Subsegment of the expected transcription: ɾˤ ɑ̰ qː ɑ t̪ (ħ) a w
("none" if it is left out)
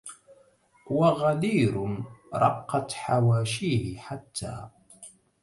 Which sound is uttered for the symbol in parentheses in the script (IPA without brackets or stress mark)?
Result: ħ